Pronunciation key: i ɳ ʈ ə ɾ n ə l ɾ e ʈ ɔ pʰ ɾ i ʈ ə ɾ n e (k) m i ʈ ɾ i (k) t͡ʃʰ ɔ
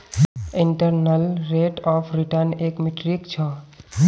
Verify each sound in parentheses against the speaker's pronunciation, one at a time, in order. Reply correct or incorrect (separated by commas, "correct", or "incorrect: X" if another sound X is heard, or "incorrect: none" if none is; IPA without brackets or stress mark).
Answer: correct, correct